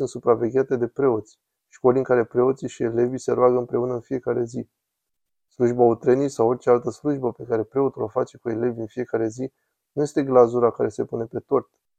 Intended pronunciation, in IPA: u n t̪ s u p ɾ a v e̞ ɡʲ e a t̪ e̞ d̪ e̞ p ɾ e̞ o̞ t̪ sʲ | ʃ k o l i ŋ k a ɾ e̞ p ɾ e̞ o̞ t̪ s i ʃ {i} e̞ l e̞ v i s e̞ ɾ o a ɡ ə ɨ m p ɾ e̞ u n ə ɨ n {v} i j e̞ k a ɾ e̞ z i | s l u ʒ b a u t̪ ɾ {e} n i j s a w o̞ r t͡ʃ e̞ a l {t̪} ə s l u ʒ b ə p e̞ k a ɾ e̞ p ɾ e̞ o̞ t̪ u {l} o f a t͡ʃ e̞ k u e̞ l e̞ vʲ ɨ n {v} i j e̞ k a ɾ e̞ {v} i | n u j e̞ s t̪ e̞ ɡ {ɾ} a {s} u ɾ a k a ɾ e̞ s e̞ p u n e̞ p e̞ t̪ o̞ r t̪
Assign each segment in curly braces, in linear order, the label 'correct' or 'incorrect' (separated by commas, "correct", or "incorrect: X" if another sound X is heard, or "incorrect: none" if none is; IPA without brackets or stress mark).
correct, incorrect: f, correct, correct, correct, incorrect: f, incorrect: z, incorrect: l, incorrect: z